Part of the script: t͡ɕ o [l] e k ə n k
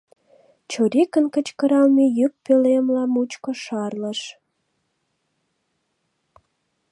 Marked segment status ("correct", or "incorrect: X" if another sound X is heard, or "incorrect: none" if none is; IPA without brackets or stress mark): incorrect: ɾ